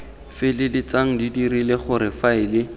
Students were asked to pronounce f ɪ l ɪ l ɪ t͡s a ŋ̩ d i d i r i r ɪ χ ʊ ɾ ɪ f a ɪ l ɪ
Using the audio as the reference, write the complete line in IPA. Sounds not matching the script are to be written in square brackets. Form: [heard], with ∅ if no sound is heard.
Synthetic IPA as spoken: f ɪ l ɪ l ɪ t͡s a ŋ̩ d i d i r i [l] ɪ χ ʊ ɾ ɪ f a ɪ l ɪ